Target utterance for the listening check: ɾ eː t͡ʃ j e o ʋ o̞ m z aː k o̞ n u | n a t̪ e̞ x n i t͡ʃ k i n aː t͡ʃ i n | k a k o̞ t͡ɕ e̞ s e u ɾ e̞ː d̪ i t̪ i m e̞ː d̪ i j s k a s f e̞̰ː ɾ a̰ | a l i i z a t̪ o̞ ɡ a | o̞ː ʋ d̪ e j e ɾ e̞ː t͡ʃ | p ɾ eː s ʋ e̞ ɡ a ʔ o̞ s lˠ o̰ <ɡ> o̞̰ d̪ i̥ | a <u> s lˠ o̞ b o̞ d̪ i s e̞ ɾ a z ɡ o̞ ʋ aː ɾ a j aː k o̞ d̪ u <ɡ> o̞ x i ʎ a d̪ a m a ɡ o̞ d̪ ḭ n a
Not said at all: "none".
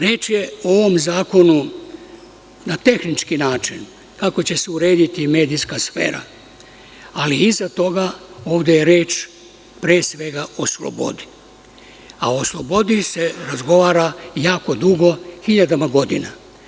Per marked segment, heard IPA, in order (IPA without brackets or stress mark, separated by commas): b, o, ɡ